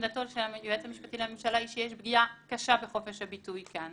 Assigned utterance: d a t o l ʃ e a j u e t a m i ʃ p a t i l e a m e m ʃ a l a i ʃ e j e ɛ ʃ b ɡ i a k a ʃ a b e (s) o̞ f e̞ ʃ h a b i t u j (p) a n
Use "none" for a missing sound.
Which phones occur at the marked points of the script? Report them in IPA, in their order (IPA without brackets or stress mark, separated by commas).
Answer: χ, k